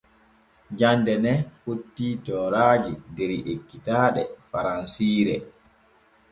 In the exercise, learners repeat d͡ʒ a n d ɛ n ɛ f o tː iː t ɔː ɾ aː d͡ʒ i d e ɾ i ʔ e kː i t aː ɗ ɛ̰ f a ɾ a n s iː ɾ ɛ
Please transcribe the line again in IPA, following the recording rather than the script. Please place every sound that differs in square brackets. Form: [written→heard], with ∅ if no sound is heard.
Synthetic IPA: d͡ʒ a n d ɛ n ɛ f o tː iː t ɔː ɾ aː d͡ʒ i d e ɾ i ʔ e kː i t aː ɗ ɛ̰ f a ɾ a n s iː ɾ ɛ